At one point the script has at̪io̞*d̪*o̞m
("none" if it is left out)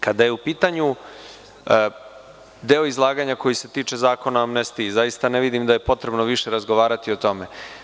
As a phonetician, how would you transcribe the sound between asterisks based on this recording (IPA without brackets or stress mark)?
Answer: t̪